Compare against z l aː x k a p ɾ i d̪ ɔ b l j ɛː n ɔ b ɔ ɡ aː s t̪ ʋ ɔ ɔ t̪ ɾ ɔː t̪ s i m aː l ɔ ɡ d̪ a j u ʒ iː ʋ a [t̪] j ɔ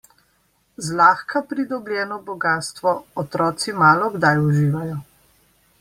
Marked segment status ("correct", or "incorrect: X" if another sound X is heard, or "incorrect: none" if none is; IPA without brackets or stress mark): incorrect: none